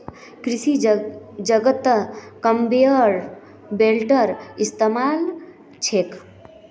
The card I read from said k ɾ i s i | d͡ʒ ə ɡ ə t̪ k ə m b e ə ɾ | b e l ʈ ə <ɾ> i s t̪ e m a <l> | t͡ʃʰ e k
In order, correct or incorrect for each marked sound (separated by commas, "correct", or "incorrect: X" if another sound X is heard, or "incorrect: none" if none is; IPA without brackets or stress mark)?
correct, correct